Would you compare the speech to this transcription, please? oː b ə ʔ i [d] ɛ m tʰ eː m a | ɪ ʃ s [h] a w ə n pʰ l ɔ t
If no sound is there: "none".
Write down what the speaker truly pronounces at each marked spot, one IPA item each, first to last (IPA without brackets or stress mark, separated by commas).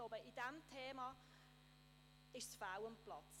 d, f